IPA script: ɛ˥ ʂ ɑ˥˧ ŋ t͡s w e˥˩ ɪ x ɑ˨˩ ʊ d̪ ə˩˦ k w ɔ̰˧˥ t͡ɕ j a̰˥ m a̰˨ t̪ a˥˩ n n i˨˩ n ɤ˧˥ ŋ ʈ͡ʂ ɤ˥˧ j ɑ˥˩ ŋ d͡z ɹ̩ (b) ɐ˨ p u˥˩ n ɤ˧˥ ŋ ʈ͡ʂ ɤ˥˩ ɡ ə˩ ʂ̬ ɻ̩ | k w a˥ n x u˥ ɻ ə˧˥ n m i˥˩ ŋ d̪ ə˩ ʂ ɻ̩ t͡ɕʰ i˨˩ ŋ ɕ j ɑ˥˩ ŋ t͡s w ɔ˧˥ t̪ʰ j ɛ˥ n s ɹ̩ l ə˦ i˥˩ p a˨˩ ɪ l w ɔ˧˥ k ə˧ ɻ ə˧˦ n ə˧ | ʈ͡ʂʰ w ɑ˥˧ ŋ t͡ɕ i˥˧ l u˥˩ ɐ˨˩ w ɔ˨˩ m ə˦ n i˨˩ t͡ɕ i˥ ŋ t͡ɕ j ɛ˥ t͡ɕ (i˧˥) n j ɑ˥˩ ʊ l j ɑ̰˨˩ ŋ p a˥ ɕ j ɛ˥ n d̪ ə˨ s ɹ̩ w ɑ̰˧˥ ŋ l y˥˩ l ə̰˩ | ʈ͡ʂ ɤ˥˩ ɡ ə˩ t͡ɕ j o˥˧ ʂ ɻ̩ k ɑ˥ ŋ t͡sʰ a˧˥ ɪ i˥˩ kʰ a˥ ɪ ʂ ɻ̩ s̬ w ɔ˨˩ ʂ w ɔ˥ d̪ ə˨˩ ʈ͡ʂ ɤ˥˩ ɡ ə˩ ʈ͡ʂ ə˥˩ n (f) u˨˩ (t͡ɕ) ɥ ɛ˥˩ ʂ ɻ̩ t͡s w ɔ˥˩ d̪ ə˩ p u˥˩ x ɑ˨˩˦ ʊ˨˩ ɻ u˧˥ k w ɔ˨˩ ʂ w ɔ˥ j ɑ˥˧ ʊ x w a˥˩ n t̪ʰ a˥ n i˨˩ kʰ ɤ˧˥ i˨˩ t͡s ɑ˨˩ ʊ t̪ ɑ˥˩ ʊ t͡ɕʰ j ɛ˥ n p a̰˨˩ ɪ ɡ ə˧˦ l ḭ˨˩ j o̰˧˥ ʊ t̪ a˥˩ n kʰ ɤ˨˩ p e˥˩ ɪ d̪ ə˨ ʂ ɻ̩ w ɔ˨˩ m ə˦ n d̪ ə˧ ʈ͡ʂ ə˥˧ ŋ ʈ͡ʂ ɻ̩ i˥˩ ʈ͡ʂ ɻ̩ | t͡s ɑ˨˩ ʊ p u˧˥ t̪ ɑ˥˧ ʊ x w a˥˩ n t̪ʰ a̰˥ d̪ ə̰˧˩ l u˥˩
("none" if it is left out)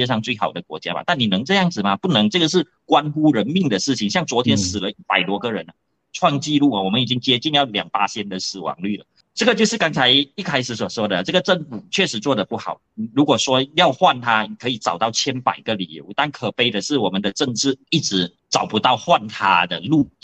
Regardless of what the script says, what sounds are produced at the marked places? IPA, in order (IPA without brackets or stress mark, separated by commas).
m, i˥˧, f, t͡ɕʰ